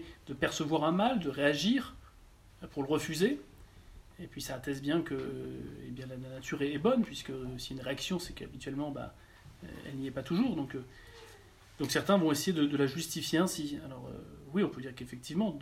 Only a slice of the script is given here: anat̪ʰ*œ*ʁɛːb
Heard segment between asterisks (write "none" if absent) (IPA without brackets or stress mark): y